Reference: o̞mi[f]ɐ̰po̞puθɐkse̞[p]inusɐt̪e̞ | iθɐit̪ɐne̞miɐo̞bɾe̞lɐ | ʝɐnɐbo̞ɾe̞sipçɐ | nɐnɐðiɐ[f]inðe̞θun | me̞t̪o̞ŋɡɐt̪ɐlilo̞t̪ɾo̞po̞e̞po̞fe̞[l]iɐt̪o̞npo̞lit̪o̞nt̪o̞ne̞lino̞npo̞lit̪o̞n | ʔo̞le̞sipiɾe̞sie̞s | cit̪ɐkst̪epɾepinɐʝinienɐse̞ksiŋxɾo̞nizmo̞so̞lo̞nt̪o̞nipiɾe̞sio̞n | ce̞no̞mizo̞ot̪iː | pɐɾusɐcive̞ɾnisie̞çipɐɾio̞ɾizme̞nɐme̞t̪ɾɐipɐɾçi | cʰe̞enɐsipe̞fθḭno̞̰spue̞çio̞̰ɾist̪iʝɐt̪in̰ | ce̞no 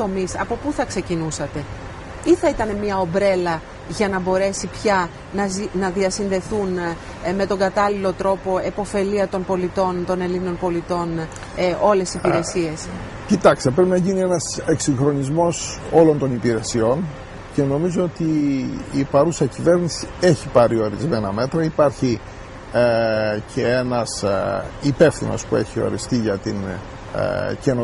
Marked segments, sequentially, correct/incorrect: incorrect: s, incorrect: c, incorrect: s, correct

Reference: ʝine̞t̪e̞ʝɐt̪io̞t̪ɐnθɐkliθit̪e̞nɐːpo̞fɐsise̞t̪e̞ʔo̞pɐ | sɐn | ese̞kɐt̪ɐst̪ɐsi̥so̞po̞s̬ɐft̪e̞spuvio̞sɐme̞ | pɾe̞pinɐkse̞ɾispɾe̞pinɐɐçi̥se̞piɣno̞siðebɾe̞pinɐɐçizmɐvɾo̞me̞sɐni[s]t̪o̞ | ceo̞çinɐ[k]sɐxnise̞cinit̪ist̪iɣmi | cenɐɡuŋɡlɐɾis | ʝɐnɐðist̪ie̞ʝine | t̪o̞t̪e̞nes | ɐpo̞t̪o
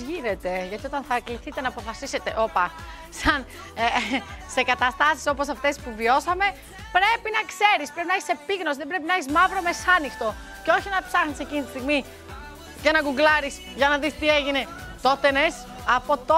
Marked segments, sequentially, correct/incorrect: incorrect: x, incorrect: p

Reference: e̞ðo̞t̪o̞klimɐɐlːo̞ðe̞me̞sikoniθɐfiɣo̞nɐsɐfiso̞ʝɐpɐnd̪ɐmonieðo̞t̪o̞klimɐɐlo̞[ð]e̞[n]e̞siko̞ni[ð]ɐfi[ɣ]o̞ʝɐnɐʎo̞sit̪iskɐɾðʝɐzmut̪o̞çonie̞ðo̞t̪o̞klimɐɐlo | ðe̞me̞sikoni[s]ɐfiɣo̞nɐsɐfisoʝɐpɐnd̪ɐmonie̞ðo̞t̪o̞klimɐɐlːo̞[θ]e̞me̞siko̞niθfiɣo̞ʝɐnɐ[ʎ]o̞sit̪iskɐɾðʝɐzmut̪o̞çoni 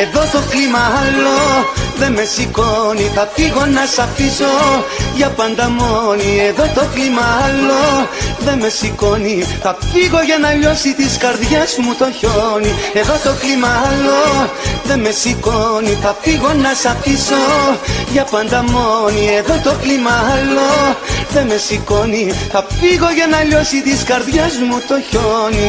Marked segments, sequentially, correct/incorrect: correct, incorrect: m, incorrect: θ, correct, incorrect: θ, incorrect: ð, correct

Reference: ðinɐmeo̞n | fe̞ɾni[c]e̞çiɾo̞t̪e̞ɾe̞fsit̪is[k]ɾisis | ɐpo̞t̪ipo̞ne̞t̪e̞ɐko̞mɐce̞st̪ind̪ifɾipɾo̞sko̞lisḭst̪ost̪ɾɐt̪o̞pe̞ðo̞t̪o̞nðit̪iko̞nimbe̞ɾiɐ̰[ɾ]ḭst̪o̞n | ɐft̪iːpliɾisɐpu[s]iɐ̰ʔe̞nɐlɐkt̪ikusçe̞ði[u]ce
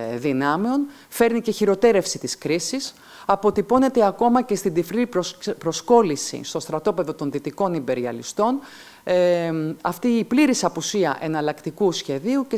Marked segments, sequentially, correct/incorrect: correct, correct, incorrect: l, correct, correct

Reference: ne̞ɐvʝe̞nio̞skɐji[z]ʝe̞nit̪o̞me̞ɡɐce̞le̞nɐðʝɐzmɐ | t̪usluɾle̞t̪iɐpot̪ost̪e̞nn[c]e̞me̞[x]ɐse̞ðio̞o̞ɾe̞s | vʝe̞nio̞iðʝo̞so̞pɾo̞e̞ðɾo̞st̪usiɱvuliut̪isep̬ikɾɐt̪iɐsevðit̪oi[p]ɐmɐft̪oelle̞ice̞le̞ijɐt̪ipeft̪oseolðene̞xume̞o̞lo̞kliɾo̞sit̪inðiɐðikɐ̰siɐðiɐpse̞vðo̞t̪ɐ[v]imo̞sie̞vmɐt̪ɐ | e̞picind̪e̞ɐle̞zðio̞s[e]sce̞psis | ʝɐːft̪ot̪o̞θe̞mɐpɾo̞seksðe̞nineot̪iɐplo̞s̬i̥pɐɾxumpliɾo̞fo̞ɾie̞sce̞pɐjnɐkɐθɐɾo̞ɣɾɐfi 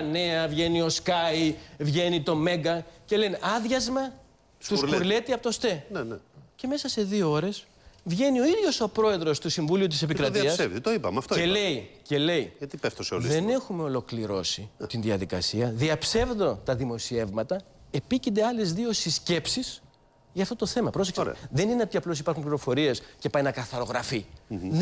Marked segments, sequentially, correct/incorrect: incorrect: v, correct, incorrect: s, correct, incorrect: ð, incorrect: i

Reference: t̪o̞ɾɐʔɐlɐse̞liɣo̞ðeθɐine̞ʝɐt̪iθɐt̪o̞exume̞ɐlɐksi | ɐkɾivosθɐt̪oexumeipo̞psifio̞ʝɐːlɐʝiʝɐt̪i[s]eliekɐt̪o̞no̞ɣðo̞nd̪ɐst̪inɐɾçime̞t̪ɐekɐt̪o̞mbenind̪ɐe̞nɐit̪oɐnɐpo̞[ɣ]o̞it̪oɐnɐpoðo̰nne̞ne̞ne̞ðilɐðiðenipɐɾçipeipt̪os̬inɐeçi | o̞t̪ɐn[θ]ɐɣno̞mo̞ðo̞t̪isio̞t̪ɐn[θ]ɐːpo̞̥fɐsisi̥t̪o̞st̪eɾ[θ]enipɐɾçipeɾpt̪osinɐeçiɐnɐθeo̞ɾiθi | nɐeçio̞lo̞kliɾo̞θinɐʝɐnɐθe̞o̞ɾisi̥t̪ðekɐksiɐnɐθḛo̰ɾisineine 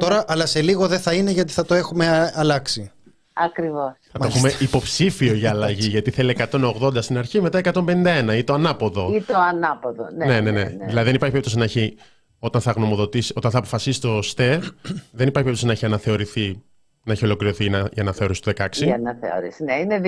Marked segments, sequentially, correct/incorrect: incorrect: θ, incorrect: ð, correct, correct, incorrect: ð

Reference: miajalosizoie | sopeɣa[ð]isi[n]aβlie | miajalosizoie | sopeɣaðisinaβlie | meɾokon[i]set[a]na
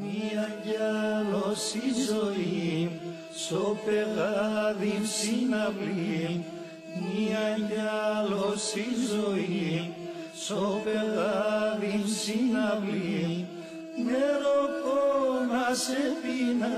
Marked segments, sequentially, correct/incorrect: correct, correct, incorrect: a, incorrect: i

